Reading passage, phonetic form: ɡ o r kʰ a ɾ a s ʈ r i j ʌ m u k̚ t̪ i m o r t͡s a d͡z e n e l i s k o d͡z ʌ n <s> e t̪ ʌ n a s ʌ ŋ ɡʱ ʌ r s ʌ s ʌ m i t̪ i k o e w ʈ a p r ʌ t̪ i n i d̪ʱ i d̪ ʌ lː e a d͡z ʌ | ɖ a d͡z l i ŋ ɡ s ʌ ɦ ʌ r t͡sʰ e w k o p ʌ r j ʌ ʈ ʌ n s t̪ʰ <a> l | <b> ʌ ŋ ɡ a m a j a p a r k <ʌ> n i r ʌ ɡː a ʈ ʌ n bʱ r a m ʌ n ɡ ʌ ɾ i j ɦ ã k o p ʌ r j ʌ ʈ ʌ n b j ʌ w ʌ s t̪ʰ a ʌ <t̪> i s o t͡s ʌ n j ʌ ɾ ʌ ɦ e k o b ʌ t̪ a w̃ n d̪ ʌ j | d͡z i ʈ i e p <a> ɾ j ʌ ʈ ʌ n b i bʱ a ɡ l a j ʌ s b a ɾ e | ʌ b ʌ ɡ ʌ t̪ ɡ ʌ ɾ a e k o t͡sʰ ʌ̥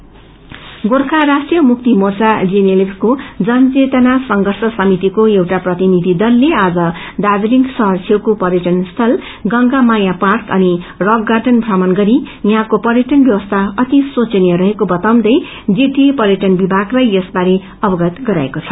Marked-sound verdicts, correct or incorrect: incorrect: t͡s, incorrect: ʌ, incorrect: ɡ, correct, correct, incorrect: ʌ

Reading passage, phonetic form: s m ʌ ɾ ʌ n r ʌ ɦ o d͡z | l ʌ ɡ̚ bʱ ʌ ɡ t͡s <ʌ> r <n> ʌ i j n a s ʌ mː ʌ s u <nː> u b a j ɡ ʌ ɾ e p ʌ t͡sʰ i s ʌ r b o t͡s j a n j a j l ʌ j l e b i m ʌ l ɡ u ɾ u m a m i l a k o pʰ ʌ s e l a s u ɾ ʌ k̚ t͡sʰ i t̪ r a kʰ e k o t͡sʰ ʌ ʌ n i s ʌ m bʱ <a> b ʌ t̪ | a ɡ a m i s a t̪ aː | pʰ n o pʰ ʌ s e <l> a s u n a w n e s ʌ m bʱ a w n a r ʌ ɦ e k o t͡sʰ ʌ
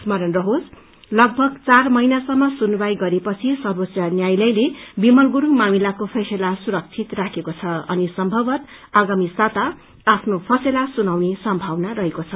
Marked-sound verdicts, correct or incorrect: incorrect: a, incorrect: m, incorrect: n, incorrect: ʌ, correct

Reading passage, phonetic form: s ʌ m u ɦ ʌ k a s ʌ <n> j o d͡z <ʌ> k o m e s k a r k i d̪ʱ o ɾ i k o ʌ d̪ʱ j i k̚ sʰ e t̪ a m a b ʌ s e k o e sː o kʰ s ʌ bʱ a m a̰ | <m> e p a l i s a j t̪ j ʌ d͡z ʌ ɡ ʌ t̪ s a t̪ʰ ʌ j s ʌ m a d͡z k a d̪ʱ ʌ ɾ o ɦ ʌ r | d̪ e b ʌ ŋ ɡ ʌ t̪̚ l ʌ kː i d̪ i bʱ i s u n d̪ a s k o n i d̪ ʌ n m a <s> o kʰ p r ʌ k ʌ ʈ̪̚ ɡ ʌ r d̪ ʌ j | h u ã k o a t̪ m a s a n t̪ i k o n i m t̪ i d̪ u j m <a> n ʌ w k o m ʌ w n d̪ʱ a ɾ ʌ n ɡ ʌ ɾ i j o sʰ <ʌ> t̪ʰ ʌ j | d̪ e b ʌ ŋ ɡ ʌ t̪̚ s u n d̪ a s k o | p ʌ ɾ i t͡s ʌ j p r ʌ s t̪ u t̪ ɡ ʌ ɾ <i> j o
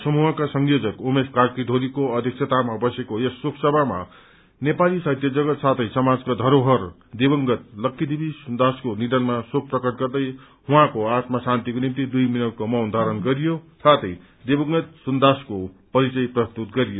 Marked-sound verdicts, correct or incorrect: incorrect: ŋ, correct, incorrect: n, correct, incorrect: i, incorrect: a, correct

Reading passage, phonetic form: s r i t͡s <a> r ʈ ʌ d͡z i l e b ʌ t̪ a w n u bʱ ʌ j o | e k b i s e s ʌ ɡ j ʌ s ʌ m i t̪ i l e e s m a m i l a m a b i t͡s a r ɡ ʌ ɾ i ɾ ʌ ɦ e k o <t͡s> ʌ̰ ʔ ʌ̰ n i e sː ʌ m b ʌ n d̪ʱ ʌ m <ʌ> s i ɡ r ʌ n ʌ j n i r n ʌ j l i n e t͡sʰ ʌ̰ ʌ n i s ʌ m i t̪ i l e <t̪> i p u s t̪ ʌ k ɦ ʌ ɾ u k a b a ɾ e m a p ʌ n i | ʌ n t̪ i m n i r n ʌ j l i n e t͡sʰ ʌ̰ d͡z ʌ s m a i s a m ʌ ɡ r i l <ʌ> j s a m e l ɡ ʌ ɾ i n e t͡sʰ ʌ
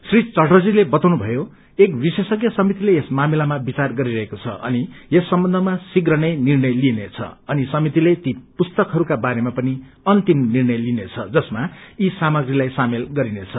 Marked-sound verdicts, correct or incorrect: incorrect: ʌ, incorrect: t͡sʰ, incorrect: a, correct, incorrect: a

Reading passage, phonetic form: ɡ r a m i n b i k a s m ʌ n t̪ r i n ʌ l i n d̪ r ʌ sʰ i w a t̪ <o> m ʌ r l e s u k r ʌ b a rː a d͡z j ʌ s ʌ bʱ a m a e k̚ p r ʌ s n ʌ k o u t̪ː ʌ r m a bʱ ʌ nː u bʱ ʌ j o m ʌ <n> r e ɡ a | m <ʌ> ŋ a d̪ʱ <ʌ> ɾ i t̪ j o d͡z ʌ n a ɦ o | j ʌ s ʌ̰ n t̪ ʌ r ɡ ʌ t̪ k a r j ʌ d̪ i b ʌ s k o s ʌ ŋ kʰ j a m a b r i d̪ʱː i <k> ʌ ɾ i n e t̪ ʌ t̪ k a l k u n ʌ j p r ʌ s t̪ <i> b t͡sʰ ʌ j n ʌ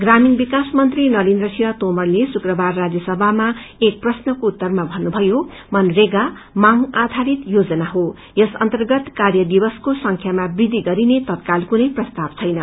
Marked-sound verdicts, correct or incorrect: correct, correct, incorrect: a, incorrect: a, incorrect: ɡ, incorrect: a

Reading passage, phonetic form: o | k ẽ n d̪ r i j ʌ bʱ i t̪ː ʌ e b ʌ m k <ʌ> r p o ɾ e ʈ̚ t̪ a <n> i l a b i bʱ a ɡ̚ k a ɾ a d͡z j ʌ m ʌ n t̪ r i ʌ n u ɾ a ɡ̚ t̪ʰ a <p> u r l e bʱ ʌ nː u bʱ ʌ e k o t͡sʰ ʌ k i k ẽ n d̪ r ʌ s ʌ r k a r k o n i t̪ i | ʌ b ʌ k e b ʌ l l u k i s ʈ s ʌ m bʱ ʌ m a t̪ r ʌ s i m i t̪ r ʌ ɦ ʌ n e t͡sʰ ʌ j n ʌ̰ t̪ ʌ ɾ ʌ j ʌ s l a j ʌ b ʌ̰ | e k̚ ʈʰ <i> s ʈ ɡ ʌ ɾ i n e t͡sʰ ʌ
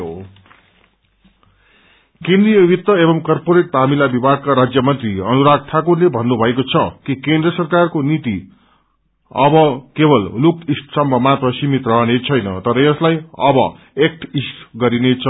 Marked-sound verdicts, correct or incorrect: correct, incorrect: m, incorrect: k, correct

